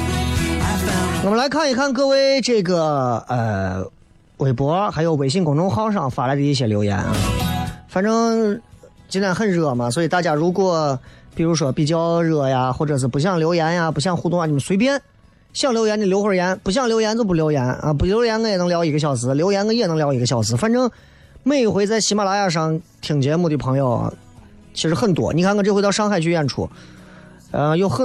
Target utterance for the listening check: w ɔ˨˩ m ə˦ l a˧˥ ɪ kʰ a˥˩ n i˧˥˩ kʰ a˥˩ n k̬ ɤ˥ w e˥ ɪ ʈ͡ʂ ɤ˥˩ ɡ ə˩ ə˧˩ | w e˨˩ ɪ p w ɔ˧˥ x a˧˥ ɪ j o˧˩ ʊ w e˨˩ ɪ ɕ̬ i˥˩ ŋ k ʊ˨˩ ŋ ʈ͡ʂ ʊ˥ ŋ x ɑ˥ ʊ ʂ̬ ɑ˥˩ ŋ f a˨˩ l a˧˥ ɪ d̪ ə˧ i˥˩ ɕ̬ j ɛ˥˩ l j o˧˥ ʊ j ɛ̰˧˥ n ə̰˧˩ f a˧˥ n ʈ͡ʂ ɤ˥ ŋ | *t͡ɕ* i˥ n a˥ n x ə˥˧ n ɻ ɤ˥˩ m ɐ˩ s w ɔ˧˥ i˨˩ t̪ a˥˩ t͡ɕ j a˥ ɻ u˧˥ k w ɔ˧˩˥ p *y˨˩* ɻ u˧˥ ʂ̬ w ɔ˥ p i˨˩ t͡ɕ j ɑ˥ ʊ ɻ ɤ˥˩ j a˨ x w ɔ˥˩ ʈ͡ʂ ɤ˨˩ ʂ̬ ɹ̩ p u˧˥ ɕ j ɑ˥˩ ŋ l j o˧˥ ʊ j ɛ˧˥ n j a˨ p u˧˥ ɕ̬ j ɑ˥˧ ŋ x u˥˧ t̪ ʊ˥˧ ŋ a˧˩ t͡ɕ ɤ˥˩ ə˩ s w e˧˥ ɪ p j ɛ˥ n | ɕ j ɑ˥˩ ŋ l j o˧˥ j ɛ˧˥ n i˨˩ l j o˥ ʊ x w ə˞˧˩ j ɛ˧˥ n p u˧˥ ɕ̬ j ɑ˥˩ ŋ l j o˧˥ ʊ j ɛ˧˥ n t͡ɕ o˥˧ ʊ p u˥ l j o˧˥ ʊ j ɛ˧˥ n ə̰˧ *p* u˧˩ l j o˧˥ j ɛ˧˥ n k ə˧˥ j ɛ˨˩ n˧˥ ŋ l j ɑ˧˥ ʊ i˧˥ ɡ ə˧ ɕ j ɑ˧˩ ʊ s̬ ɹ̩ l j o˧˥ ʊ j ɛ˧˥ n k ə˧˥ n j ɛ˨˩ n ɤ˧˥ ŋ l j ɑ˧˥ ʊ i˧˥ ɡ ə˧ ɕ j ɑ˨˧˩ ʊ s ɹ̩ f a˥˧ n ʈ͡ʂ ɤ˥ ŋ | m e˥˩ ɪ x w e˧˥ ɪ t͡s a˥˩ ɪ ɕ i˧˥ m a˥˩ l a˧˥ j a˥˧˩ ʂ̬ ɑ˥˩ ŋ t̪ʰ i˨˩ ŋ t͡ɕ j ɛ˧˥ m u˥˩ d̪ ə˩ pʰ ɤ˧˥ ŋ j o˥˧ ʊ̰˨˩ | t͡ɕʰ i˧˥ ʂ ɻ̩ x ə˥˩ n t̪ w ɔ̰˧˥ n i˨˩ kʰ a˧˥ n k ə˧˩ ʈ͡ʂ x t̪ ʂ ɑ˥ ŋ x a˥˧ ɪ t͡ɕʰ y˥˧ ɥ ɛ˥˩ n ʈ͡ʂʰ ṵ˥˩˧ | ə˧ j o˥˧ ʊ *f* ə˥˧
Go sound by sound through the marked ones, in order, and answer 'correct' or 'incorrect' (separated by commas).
correct, incorrect, correct, incorrect